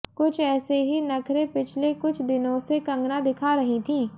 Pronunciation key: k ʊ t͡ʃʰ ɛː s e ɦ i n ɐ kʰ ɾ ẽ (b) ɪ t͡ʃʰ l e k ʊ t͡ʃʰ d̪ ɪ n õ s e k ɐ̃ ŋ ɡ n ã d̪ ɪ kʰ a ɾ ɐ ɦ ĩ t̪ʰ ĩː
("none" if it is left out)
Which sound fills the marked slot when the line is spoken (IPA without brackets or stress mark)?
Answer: p